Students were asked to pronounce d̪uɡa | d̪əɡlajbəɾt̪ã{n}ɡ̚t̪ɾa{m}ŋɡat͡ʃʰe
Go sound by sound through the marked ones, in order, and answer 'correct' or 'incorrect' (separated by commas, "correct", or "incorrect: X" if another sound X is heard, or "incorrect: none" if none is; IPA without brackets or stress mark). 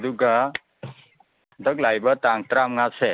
incorrect: ŋ, correct